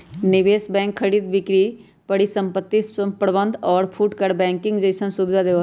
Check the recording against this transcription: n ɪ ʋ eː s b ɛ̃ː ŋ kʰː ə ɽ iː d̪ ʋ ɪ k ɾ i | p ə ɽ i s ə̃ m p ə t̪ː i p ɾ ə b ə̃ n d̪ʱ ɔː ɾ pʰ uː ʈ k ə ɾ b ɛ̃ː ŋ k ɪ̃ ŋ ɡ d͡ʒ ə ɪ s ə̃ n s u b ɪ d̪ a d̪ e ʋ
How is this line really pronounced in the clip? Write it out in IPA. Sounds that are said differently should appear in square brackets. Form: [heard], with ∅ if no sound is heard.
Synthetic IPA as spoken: n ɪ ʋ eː s b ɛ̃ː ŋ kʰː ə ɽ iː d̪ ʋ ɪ k ɾ i | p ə ɽ i s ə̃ m p ə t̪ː i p ɾ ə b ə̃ n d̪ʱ ɔː ɾ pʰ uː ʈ k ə ɾ b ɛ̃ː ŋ k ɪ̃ ŋ ɡ d͡ʒ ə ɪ s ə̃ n s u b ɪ d̪ a d̪ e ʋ